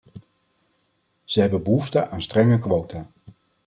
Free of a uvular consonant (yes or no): yes